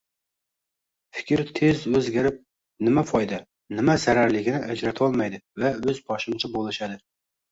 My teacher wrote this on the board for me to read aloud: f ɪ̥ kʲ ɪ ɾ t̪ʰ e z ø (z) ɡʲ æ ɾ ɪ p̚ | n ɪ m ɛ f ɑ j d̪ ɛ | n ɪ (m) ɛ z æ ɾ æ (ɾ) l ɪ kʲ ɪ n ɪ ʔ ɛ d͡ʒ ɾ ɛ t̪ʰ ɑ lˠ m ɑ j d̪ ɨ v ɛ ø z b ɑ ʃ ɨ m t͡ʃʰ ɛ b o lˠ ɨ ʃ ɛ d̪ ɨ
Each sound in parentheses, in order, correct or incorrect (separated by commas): correct, correct, correct